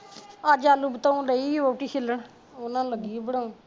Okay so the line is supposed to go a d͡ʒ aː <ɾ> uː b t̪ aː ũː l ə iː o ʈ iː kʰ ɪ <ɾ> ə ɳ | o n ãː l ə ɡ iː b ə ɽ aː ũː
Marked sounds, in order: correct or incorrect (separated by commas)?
incorrect, incorrect